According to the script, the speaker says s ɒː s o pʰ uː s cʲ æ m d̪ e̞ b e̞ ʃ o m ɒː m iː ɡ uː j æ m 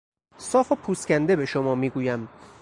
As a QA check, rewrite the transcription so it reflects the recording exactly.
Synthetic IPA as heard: s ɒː f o pʰ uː s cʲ æ n d̪ e̞ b e̞ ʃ o m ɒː m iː ɡ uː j æ m